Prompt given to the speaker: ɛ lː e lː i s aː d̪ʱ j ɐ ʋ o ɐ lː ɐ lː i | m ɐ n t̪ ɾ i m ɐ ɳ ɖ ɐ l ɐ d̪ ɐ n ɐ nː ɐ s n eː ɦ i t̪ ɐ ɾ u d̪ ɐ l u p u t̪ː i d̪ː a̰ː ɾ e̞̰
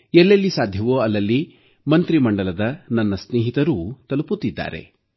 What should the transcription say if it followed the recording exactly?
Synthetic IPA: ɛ lː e lː i s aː d̪ʱ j ɐ ʋ o ɐ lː ɐ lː i | m ɐ n t̪ ɾ i m ɐ ɳ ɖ ɐ l ɐ d̪ ɐ n ɐ nː ɐ s n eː ɦ i t̪ ɐ ɾ u t̪ ɐ l u p u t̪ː i d̪ː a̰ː ɾ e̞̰

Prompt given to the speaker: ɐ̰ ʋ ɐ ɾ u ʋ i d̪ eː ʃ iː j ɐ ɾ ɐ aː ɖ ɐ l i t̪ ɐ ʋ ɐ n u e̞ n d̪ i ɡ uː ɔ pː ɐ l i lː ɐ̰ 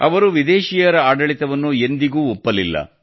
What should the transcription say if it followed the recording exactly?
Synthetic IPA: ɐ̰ ʋ ɐ ɾ u ʋ i d̪ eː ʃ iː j ɐ ɾ ɐ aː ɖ ɐ ɭ i t̪ ɐ ʋ ɐ nː u e̞ n d̪ i ɡ uː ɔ pː ɐ l i lː ɐ̰

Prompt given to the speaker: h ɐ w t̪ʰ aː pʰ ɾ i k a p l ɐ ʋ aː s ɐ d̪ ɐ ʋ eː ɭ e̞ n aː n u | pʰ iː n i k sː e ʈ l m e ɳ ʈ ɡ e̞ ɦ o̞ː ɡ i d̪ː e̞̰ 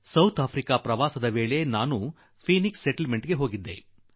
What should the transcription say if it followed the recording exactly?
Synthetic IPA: s ɐ w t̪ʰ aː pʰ ɾ i k a p ɾ ɐ ʋ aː s ɐ d̪ ɐ ʋ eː ɭ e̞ n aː n u | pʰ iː n i k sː e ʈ l m e ɳ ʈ ɡ e̞ ɦ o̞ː ɡ i d̪ː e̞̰

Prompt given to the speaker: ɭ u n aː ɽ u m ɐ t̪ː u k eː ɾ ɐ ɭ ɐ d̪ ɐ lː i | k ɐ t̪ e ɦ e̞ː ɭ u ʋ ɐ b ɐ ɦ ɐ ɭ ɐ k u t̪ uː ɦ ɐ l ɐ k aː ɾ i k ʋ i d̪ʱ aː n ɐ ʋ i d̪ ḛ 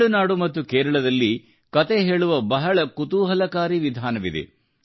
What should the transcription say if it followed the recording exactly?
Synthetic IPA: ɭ u n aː ɽ u m ɐ t̪ː u k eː ɾ ɐ ɭ ɐ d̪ ɐ lː i | k ɐ t̪ e ɦ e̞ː ɭ u ʋ ɐ b ɐ ɦ ɐ ɭ ɐ k u t̪ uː ɦ ɐ l ɐ k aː ɾ i ʋ i d̪ʱ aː n ɐ ʋ i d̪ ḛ

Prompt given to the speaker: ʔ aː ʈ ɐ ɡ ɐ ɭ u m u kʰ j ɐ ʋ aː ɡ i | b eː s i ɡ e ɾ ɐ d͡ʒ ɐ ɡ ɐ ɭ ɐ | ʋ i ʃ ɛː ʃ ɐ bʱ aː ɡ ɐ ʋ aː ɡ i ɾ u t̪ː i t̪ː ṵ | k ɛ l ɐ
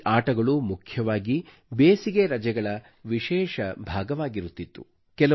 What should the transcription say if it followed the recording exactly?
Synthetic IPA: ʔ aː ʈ ɐ ɡ ɐ ɭ u m u kʰ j ɐ ʋ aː ɡ i | b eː s i ɡ e ɾ ɐ d͡ʒ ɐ ɡ ɐ ɭ ɐ | ʋ i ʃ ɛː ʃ ɐ bʱ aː ɡ ɐ ʋ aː ɡ i ɾ u t̪ː i t̪ː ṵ | k ɛ l ɐ

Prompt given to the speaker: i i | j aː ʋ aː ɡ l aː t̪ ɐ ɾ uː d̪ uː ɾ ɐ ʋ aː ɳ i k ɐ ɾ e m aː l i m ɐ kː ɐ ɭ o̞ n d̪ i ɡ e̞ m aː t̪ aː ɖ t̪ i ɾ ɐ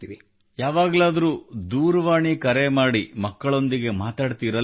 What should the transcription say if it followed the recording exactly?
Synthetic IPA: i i | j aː ʋ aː ɡ l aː d̪ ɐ ɾ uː d̪ uː ɾ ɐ ʋ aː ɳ i k ɐ ɾ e m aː ɽ i m ɐ kː ɐ ɭ o̞ n d̪ i ɡ e̞ m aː t̪ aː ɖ t̪ i ɾ ɐ

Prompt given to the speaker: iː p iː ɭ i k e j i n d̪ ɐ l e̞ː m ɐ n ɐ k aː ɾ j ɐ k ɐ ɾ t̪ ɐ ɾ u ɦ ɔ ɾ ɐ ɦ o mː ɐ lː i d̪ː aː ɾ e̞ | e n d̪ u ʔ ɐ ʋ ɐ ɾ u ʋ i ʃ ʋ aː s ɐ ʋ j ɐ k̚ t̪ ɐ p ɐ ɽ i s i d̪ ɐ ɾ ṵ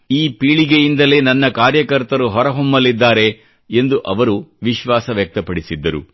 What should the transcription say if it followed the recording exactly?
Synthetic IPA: iː p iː ɭ i ɡ e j i n d̪ ɐ l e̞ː n ɐ nː ɐ k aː ɾ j ɐ k ɐ ɾ t̪ ɐ ɾ u ɦ ɔ ɾ ɐ ɦ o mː ɐ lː i d̪ː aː ɾ e̞ | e n d̪ u ʔ ɐ ʋ ɐ ɾ u ʋ i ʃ ʋ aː s ɐ ʋ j ɐ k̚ t̪ ɐ p ɐ ɽ i s i d̪ː ɐ ɾ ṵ

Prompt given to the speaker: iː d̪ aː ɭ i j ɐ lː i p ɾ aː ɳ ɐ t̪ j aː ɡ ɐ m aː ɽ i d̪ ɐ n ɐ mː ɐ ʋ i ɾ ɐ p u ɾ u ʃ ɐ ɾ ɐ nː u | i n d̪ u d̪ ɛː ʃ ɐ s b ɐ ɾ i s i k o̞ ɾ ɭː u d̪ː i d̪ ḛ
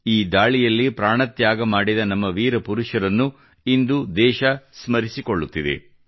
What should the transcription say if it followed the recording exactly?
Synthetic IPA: iː d̪ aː ɭ i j ɐ lː i p ɾ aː ɳ ɐ t̪ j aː ɡ ɐ m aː ɽ i d̪ ɐ n ɐ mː ɐ ʋ iː ɾ ɐ p u ɾ u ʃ ɐ ɾ ɐ nː u | i n d̪ u d̪ ɛː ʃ ɐ s m ɐ ɾ i s i k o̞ ɭː u t̪ː i d̪ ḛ

